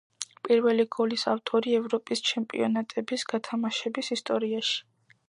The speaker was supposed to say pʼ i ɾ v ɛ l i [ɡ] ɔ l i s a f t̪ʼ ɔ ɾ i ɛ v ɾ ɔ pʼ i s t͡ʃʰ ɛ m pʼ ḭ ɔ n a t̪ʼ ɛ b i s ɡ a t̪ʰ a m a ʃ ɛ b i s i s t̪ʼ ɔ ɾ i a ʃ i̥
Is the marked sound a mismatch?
no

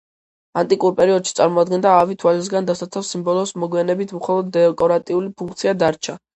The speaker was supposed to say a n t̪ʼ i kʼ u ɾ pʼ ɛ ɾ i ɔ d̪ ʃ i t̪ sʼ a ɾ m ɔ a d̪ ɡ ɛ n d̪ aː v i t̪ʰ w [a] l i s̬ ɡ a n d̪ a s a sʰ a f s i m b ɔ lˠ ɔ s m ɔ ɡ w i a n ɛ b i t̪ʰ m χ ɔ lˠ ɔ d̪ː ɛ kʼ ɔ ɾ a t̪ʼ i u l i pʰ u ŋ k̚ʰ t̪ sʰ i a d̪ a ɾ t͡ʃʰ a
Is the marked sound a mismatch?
no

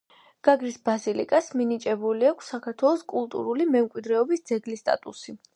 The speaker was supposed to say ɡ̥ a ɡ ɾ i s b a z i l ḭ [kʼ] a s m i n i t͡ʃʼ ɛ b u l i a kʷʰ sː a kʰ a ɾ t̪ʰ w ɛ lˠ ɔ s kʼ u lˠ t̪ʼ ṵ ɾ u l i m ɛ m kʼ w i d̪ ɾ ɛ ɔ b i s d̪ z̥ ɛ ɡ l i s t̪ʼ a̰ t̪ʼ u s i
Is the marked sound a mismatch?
no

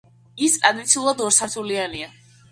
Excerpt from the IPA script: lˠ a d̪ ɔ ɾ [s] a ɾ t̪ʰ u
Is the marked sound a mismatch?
no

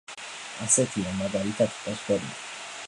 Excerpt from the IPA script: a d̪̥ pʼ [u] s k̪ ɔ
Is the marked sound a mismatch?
yes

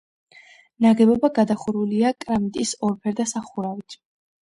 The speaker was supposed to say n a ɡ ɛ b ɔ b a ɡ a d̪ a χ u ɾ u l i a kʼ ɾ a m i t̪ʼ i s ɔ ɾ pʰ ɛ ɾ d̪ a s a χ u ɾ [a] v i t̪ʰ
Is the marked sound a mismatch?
no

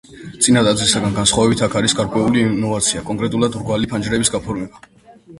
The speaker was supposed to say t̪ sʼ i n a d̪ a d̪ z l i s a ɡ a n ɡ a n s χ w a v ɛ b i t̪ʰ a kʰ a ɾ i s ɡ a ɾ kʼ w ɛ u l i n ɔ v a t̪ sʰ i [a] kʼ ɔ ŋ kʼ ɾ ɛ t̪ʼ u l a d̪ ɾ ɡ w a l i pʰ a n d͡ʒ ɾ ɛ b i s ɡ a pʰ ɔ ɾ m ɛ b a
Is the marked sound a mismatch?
no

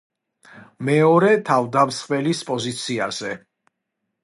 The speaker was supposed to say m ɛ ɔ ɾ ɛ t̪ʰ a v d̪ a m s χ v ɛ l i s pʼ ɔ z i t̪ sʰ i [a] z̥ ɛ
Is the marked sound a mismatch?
no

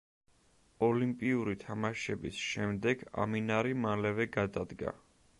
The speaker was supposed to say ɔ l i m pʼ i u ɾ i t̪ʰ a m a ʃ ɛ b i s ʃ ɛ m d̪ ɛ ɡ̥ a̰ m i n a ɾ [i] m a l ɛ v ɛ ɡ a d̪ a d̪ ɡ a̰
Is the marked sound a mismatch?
no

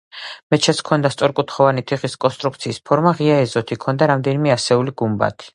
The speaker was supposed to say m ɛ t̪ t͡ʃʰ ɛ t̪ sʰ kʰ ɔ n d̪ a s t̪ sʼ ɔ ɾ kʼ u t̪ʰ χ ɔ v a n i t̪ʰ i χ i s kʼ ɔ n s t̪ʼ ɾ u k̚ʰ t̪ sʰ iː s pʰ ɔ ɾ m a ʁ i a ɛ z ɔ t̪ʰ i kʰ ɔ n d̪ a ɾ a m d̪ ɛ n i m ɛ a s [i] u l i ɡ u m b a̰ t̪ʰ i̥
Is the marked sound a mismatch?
yes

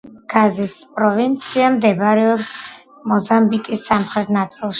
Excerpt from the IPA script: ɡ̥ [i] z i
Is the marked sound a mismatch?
yes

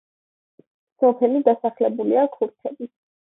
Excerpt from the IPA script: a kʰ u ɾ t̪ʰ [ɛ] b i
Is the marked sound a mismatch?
no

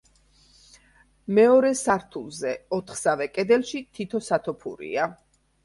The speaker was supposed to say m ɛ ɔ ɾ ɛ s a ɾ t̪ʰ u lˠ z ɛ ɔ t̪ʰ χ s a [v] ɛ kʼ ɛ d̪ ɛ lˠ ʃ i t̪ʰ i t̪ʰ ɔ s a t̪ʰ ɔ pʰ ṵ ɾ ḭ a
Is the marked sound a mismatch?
no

